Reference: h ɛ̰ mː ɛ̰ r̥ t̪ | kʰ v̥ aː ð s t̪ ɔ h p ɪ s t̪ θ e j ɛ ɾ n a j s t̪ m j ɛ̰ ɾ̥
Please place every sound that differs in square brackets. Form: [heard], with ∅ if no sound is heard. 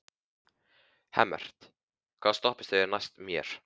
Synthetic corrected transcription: h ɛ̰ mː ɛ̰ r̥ t̪ | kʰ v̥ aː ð s t̪ ɔ h p ɪ s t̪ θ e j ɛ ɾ n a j s t̪ m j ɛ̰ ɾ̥

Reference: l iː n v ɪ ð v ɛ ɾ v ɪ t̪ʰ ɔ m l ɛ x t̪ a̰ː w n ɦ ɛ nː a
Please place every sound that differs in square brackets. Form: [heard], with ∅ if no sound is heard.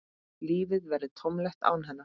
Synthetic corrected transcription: l iː [∅] v ɪ ð v ɛ ɾ [ð] ɪ t̪ʰ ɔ m l ɛ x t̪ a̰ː w n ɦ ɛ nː a

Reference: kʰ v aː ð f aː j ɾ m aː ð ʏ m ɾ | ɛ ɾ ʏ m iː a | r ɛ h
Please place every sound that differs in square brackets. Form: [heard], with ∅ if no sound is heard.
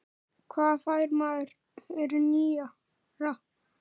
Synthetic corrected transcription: kʰ v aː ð f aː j ɾ m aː ð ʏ [∅] ɾ | ɛ ɾ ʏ [n] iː a | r [a] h

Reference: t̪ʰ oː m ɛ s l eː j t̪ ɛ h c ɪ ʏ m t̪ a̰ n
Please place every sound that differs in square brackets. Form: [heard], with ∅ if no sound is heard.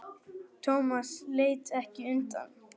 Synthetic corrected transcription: t̪ʰ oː m [a] s l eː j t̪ ɛ h c ɪ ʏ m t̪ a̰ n

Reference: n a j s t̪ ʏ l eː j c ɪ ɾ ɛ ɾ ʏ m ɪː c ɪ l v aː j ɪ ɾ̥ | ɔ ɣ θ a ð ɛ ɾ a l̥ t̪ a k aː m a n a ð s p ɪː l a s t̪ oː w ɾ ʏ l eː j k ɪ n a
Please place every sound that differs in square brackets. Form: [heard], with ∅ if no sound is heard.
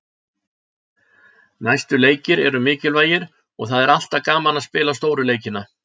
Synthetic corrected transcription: n a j s t̪ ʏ l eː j c ɪ ɾ ɛ ɾ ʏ m ɪː c ɪ l v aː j ɪ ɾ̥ | ɔ ɣ θ a ð ɛ ɾ a l̥ t̪ a k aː m a n a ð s p ɪː l a s t̪ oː w ɾ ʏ l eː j [c] ɪ n a

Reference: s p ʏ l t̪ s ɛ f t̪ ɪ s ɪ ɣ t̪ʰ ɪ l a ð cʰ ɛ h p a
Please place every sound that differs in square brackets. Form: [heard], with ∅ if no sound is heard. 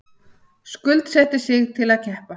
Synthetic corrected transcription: s [k] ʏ l t̪ s ɛ [h] t̪ ɪ s ɪ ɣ t̪ʰ ɪ l a ð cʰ ɛ h p a

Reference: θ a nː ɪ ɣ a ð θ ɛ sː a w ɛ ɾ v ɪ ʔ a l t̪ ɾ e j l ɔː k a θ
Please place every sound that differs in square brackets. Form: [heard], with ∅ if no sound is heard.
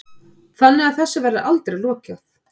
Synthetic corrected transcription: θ a nː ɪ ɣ a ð θ ɛ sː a [v] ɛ ɾ [ð] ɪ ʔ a l t̪ ɾ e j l ɔː [c] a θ

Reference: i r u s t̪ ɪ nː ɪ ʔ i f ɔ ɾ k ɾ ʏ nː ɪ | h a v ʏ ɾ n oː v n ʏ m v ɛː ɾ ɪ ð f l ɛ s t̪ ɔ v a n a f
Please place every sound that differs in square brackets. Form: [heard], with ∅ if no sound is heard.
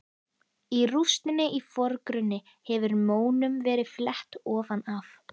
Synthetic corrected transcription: i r u s t̪ ɪ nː ɪ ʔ i f ɔ ɾ k ɾ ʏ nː ɪ | h [ɛ] v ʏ ɾ [m] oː [w] n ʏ m v ɛː ɾ ɪ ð f l ɛ [h] t̪ [ɔː] v a n a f

